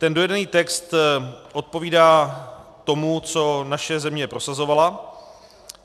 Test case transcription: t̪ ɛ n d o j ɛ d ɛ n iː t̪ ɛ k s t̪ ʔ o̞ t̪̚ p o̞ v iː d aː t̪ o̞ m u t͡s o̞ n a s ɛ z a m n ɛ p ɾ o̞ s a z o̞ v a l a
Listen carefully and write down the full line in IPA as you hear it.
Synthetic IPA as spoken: t̪ ɛ n d o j ɛ d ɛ n iː t̪ ɛ k s t̪ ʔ o̞ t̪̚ p o̞ v iː d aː t̪ o̞ m u t͡s o̞ n a ʃ ɛ z ɛ m ɲ ɛ p ɾ o̞ s a z o̞ v a l a

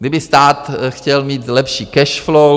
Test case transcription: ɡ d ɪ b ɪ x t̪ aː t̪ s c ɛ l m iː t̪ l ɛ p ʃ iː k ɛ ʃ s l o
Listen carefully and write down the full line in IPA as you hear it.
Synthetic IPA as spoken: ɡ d ɪ b ɪ s t̪ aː t̪ x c ɛ l m iː t̪ l ɛ p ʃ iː k ɛ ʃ f l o

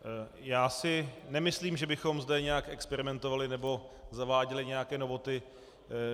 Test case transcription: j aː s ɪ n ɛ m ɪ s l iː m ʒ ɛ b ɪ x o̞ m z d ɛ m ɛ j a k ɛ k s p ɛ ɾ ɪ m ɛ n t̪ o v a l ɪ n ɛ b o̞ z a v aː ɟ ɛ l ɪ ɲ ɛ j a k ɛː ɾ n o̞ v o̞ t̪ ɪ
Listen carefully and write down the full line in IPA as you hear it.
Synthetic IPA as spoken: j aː s ɪ n ɛ m ɪ s l iː m ʒ ɛ b ɪ x o̞ m z d ɛ ɲ ɛ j a k ɛ k s p ɛ ɾ ɪ m ɛ n t̪ o v a l ɪ n ɛ b o̞ z a v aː ɟ ɛ l ɪ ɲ ɛ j a k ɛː n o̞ v o̞ t̪ ɪ

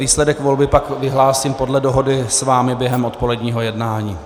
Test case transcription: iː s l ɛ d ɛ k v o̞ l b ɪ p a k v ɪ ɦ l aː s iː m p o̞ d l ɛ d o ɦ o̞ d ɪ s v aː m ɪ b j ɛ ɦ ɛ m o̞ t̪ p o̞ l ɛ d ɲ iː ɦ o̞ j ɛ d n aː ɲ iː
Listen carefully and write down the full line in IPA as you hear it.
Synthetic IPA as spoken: iː s l ɛ d ɛ k v o̞ l b ɪ p a k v ɪ ɦ l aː s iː m p o̞ d l ɛ d o ɦ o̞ d ɪ s v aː m ɪ b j ɛ ɦ ɛ m o̞ t̪ p o̞ l ɛ d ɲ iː ɦ o̞ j ɛ d n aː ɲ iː

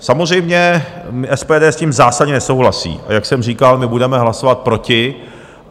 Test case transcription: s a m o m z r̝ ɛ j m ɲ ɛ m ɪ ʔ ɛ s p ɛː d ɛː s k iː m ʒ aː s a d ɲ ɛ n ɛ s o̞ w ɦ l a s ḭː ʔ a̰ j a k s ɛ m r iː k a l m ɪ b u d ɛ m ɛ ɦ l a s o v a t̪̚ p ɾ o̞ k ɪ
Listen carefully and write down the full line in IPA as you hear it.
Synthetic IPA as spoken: s a m o z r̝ ɛ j m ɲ ɛ m ɪ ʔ ɛ s p ɛː d ɛː s c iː m z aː s a d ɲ ɛ n ɛ s o̞ w ɦ l a s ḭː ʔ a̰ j a k s ɛ m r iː k a l m ɪ b u d ɛ m ɛ ɦ l a s o v a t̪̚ p ɾ o̞ c ɪ

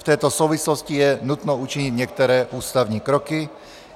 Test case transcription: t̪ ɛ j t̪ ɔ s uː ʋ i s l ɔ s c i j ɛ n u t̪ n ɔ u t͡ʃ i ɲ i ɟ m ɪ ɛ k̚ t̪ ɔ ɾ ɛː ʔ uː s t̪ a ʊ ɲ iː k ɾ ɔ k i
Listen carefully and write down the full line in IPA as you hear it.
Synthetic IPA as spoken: t̪ ɛ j t̪ ɔ s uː ʋ i s l ɔ s c i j ɛ n u t̪ n ɔ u t͡ʃ i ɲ i ɟ ɲ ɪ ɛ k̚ t̪ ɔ ɾ ɛː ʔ uː s t̪ a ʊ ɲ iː k ɾ ɔ k i

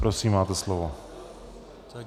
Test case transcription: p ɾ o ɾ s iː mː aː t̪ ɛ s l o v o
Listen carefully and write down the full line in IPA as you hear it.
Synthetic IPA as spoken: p ɾ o s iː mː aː t̪ ɛ s l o v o

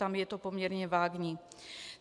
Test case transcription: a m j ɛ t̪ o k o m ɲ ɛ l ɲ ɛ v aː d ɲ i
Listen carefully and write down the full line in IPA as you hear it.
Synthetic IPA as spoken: a m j ɛ t̪ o p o m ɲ ɛ ɾ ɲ ɛ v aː ɡ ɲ i

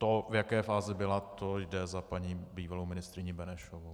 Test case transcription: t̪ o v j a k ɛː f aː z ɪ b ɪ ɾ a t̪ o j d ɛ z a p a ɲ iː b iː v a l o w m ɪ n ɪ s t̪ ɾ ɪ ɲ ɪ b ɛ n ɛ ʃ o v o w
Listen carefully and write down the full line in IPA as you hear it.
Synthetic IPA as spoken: t̪ o v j a k ɛː f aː z ɪ b ɪ l a t̪ o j d ɛ z a p a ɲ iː b iː v a l o w m ɪ n ɪ s t̪ ɾ ɪ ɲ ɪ b ɛ n ɛ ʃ o v o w

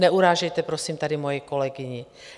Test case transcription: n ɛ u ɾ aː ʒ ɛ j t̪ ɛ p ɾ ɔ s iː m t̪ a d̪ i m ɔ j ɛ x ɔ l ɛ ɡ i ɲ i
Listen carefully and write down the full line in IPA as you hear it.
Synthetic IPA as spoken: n ɛ u ɾ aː ʒ ɛ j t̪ ɛ p ɾ ɔ s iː m t̪ a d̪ i m ɔ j ɛ k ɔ l ɛ ɡ i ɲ i

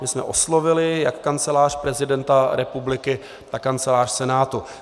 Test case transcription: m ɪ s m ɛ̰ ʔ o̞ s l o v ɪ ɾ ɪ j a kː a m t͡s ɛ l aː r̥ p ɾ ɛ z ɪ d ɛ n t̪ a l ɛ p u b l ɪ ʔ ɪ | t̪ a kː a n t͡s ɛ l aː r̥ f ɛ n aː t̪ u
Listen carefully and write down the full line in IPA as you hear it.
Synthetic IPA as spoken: m ɪ s m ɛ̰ ʔ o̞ s l o v ɪ l ɪ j a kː a n t͡s ɛ l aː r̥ p ɾ ɛ z ɪ d ɛ n t̪ a ɾ ɛ p u b l ɪ k ɪ | t̪ a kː a n t͡s ɛ l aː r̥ s ɛ n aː t̪ u

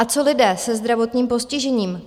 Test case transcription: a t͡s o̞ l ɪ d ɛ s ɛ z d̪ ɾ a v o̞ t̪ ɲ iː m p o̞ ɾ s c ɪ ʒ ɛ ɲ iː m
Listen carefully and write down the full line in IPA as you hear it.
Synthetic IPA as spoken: a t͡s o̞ l ɪ d ɛː s ɛ z d̪ ɾ a v o̞ t̪ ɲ iː m p o̞ s c ɪ ʒ ɛ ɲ iː m

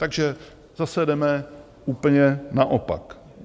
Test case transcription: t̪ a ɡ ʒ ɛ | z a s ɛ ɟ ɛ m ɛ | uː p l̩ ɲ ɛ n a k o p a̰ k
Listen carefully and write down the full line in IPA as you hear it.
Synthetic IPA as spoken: t̪ a ɡ ʒ ɛ | z a s ɛ d ɛ m ɛ | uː p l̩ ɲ ɛ n a ʔ o p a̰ k

